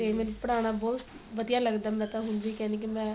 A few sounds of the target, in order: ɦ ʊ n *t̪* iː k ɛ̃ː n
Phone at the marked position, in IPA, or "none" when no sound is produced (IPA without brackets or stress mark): d̪